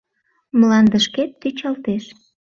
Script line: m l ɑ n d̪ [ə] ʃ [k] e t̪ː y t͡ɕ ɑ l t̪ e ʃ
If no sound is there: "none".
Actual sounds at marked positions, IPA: ə, k

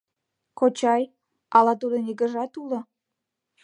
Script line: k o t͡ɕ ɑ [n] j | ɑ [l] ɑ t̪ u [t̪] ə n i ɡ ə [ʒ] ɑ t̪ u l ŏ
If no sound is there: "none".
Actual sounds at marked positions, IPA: none, l, d̪, ʒ

